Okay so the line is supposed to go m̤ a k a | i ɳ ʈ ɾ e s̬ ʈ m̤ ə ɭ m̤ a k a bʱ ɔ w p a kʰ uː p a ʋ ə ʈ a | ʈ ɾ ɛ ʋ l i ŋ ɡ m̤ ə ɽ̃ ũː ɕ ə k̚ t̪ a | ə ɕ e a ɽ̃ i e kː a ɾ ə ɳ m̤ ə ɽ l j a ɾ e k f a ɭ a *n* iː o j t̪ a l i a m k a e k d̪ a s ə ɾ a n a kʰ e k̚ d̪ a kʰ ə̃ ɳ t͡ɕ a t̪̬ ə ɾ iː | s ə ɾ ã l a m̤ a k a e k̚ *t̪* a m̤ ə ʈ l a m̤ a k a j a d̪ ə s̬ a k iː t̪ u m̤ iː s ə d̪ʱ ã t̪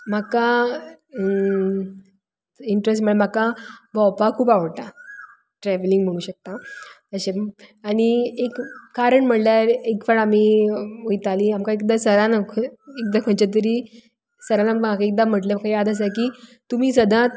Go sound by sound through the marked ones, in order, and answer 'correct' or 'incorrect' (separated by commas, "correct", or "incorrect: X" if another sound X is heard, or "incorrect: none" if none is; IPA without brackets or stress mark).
incorrect: m, incorrect: d̪